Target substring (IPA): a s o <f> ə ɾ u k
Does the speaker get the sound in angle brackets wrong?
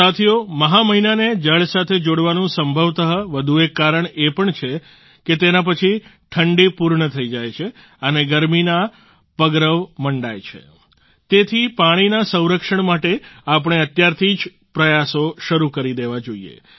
yes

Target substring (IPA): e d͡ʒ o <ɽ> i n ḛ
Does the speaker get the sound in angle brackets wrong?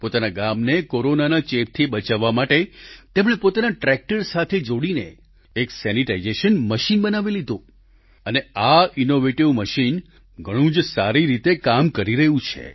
no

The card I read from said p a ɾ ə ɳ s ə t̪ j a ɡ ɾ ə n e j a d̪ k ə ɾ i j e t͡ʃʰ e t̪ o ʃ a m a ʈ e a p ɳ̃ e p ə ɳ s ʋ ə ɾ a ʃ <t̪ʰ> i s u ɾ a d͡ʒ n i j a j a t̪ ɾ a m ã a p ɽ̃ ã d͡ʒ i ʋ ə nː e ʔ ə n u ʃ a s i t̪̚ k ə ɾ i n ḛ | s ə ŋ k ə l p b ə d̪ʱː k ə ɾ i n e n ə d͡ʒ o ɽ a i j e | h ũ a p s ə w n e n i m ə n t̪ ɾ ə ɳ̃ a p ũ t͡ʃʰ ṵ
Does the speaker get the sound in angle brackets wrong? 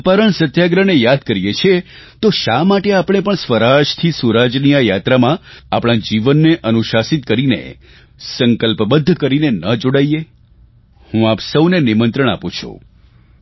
no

